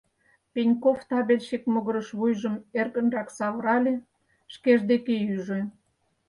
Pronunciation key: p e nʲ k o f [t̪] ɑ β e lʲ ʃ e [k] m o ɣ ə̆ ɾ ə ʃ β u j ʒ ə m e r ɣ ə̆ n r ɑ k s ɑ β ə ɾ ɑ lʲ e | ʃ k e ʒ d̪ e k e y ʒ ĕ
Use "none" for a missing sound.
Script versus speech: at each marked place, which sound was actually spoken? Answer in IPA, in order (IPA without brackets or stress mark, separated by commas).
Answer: t̪, k